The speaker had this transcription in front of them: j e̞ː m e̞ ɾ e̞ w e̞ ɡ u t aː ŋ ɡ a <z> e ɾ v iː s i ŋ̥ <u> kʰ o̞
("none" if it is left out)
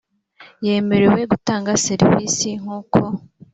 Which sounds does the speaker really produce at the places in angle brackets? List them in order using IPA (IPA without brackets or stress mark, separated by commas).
s, uː